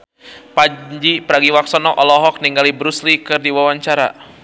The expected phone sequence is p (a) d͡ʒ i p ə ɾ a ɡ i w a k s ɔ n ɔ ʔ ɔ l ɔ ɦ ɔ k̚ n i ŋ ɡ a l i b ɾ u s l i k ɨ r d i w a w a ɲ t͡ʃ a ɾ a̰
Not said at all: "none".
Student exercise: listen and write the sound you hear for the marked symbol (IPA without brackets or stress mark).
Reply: a